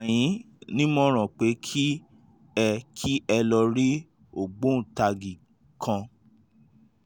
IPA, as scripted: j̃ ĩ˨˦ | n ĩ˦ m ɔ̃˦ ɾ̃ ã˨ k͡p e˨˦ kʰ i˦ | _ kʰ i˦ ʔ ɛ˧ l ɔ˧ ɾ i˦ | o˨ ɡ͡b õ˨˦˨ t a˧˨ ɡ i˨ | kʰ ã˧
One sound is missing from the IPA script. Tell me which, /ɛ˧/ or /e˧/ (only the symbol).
ɛ˧